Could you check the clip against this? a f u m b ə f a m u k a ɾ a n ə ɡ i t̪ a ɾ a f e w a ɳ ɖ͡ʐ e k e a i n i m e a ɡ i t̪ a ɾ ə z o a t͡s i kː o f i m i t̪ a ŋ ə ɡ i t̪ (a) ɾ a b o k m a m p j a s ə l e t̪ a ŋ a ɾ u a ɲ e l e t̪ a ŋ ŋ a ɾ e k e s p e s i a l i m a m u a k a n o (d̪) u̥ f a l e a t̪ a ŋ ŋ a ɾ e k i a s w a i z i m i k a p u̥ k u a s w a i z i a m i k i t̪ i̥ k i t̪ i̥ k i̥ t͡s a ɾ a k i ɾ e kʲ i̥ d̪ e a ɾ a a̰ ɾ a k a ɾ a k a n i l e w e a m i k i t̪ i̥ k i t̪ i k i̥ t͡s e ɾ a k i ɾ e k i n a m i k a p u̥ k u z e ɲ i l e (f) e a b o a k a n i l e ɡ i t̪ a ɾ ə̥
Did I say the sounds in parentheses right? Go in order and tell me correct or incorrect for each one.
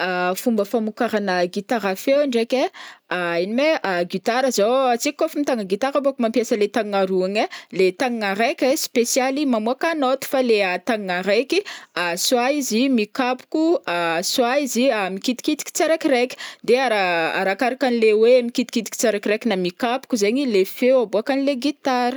correct, incorrect: t̪, correct

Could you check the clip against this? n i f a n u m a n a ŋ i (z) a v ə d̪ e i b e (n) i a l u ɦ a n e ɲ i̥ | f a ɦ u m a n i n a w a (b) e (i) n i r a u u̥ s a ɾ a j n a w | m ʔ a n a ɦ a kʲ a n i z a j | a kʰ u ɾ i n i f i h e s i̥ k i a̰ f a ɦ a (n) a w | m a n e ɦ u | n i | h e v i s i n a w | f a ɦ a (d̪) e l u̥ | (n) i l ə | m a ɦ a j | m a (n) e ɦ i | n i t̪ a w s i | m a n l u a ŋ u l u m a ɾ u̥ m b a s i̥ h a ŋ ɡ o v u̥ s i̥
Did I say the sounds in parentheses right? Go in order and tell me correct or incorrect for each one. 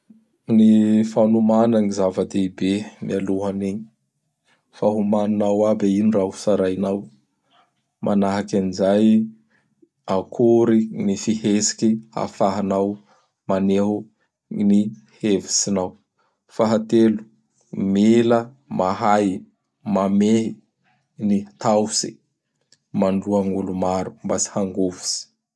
correct, incorrect: m, correct, correct, correct, incorrect: t̪, incorrect: m, incorrect: m

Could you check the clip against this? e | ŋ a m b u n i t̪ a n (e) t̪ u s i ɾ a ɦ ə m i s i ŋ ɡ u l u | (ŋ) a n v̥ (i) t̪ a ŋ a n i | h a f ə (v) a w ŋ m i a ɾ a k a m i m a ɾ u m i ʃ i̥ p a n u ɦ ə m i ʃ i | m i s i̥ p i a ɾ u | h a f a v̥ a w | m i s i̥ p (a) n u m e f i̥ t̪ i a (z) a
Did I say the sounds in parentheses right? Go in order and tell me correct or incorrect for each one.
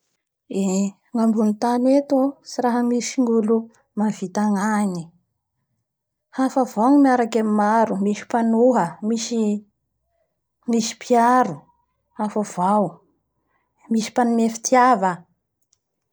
correct, incorrect: m, correct, correct, correct, incorrect: v

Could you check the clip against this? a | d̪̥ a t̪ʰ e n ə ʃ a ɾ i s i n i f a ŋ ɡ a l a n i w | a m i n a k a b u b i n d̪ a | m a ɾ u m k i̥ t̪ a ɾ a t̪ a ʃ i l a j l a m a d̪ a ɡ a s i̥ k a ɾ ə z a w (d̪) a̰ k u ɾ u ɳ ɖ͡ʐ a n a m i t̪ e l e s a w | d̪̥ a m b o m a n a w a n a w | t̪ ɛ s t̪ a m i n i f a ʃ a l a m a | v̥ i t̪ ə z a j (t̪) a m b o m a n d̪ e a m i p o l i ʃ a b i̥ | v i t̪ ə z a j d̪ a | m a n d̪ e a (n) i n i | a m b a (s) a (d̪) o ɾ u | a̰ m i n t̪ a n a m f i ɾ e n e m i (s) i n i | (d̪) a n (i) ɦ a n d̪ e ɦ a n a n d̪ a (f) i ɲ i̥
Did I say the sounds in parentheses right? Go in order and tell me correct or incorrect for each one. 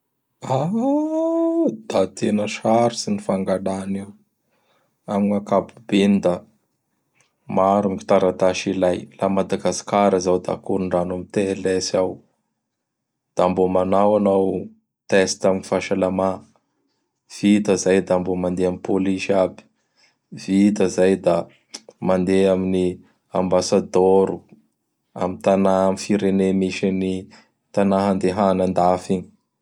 correct, incorrect: d̪, incorrect: m, correct, correct, incorrect: ʃ, incorrect: t̪, incorrect: a, correct

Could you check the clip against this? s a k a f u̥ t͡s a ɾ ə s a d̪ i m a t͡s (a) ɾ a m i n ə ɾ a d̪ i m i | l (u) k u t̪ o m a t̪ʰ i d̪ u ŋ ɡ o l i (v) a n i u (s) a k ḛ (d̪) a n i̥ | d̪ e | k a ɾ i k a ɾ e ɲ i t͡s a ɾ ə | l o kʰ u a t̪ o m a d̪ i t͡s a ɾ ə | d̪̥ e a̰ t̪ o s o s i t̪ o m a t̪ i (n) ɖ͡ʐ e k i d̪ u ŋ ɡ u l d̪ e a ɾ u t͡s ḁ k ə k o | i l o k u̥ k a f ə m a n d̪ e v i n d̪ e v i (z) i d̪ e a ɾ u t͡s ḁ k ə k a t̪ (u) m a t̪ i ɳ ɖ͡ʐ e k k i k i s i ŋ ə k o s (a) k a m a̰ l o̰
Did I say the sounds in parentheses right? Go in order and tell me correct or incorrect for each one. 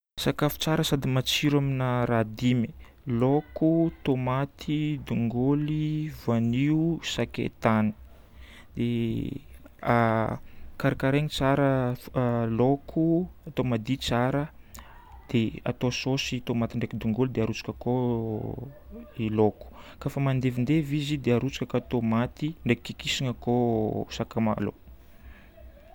incorrect: i, incorrect: o, correct, correct, incorrect: t̪, incorrect: ɳ, correct, incorrect: o, correct

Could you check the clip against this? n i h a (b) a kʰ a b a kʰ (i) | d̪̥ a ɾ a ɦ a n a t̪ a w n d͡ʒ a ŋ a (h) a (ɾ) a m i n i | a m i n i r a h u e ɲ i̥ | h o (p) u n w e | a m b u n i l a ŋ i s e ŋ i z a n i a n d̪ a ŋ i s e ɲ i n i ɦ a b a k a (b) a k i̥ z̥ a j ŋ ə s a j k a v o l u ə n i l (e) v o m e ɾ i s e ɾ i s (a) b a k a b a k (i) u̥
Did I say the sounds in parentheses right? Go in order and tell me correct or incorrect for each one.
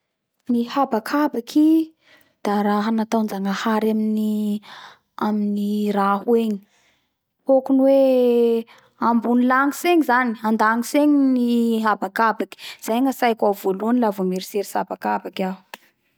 correct, correct, correct, correct, incorrect: k, correct, incorrect: a, correct, incorrect: a

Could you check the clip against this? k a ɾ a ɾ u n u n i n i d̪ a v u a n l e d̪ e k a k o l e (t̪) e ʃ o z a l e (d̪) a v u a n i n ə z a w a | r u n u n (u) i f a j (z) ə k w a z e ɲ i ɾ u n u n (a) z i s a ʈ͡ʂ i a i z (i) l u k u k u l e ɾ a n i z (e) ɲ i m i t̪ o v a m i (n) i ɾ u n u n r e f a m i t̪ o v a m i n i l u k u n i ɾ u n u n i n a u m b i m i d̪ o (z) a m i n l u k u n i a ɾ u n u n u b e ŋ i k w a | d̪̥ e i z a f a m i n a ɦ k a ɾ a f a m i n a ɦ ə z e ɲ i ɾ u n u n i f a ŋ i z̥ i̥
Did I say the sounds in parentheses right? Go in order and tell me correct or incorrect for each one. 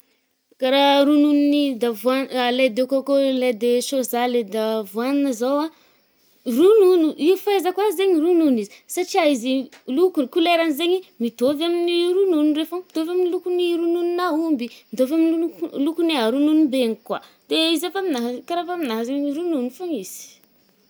incorrect: d̪, correct, correct, correct, incorrect: i, correct, correct, correct, incorrect: v

